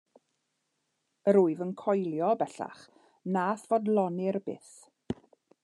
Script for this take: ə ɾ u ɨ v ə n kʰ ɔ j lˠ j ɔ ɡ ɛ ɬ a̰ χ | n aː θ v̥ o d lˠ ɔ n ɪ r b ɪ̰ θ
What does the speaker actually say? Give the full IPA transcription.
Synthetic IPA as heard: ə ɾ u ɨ v ə n kʰ ɔ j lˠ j ɔ b ɛ ɬ a̰ χ | n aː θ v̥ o d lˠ ɔ n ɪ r b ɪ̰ θ